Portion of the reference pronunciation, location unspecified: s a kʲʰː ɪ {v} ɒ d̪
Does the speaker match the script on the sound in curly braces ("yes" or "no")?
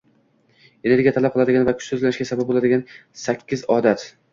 no